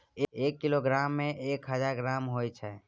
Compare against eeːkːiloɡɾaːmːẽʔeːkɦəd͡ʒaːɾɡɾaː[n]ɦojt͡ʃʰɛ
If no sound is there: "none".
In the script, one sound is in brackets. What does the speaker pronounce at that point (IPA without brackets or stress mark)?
m